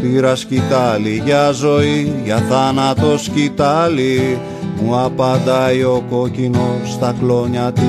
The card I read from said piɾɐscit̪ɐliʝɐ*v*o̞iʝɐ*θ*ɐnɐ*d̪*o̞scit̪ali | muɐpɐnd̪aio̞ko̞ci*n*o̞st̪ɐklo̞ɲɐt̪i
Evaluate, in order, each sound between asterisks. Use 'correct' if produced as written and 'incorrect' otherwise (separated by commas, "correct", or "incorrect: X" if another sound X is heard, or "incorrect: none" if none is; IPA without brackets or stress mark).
incorrect: z, correct, incorrect: t̪, correct